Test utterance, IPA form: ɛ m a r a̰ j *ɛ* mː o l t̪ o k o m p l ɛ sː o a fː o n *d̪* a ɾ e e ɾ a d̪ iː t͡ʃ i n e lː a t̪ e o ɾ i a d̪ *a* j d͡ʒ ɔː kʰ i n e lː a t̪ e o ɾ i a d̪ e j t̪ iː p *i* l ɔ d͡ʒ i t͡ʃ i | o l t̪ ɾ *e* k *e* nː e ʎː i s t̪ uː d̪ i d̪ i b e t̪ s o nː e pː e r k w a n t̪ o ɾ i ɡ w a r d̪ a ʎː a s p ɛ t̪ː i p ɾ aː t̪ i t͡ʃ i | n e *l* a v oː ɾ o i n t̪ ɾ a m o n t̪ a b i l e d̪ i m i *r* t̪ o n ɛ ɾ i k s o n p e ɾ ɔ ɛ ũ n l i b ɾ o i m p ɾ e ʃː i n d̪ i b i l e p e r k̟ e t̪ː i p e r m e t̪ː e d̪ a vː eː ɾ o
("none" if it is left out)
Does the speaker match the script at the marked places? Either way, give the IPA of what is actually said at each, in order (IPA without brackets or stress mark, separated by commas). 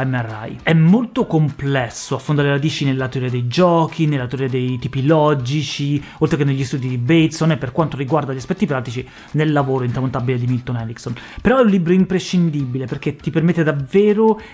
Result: ɛ, d̪, e, i, e, e, lː, l